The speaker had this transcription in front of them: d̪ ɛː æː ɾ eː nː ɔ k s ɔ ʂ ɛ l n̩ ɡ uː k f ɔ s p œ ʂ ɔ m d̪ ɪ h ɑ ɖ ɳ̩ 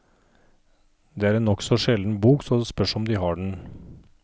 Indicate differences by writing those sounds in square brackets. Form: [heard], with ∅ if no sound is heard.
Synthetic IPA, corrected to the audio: d̪ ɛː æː ɾ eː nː ɔ k s ɔ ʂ ɛ l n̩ [b] uː k [s] ɔ s p œ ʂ ɔ m d̪ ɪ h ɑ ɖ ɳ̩